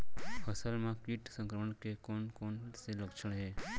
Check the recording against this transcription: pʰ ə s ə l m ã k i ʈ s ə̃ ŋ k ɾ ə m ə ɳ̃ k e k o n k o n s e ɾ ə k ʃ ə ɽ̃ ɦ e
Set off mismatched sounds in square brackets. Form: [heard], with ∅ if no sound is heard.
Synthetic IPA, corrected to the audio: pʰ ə s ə l m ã k i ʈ s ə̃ ŋ k ɾ ə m ə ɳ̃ k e k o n k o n s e [l] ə k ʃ ə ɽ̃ ɦ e